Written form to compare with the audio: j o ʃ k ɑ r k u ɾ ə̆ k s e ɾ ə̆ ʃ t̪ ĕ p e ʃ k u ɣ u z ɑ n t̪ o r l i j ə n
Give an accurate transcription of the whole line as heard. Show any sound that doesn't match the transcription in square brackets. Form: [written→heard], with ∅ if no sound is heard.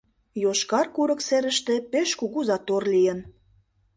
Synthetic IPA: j o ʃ k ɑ r k u ɾ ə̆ k s e ɾ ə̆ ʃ t̪ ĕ p e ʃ k u ɣ u z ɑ [n→∅] t̪ o r l i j ə n